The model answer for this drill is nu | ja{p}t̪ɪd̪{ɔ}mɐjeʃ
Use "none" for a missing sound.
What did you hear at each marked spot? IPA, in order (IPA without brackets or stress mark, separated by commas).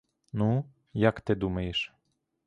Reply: k, u